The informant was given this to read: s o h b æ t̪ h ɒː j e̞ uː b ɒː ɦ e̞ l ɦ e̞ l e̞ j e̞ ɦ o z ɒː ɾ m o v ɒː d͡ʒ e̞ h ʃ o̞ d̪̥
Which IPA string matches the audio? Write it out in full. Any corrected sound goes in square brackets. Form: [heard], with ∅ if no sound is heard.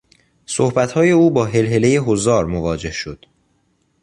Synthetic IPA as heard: s o h b æ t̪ h ɒː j e̞ uː b ɒː ɦ e̞ l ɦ e̞ l e̞ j e̞ ɦ o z ɒː ɾ m o v ɒː d͡ʒ e̞ h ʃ o̞ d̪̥